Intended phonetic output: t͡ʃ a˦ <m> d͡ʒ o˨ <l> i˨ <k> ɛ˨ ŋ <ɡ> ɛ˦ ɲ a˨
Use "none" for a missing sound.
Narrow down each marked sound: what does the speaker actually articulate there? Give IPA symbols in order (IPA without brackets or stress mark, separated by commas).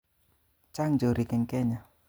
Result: ŋ, ɾ, k, k